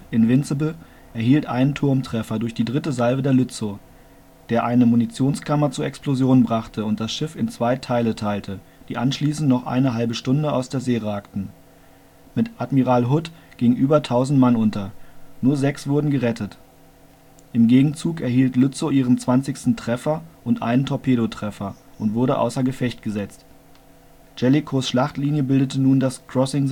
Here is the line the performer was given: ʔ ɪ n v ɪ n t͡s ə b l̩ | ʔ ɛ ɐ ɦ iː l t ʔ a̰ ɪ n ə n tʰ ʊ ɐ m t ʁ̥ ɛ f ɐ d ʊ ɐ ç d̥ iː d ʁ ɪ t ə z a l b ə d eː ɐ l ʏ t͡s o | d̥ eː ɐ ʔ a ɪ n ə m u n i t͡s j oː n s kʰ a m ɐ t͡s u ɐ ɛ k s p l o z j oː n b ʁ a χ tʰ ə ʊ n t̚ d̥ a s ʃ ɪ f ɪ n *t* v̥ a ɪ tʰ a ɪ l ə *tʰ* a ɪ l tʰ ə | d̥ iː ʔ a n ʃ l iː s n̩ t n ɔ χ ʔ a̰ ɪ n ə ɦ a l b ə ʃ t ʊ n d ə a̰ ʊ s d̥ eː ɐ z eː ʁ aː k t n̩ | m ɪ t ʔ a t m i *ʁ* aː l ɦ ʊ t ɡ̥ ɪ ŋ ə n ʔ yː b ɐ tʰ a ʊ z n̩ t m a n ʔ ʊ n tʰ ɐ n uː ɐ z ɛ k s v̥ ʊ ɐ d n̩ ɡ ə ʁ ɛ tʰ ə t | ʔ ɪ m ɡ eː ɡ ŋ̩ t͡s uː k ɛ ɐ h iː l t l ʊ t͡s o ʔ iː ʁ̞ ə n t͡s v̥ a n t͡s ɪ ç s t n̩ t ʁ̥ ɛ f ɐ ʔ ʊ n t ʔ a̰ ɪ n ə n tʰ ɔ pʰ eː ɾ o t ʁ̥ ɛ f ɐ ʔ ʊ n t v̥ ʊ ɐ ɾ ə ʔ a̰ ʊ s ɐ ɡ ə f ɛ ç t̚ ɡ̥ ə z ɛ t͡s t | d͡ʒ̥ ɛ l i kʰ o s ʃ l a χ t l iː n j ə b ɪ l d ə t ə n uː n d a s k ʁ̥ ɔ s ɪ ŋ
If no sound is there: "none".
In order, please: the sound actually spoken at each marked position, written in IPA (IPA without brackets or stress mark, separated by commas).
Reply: t͡s, tʰ, ʁ